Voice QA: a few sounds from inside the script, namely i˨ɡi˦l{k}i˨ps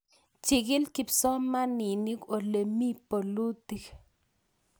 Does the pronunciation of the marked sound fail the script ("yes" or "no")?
no